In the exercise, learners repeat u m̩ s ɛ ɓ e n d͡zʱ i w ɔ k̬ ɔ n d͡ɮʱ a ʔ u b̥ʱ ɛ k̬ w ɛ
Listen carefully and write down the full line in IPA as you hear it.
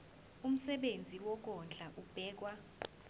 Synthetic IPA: u m̩ s ɛ ɓ e n d͡zʱ i w ɔ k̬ ɔ n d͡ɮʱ a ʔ u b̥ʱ ɛː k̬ w a